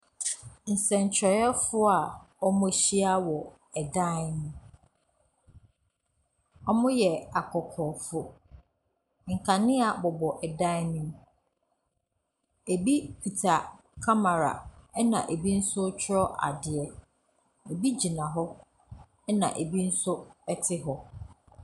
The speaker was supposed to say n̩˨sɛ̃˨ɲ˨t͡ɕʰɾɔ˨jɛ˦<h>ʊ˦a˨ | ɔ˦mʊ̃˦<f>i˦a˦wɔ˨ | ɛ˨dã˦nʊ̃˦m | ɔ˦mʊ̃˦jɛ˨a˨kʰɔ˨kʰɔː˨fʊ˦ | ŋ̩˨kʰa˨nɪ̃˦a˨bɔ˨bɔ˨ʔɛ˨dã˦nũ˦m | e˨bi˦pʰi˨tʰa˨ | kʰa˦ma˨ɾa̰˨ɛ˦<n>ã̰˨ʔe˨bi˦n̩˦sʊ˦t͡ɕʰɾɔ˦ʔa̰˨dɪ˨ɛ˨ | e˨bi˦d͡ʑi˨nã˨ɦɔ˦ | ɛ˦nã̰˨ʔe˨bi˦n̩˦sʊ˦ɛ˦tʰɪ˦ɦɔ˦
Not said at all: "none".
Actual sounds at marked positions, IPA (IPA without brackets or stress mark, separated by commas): f, ɕ, n